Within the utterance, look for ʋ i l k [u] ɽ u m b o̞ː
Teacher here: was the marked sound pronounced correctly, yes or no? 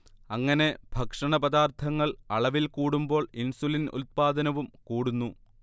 no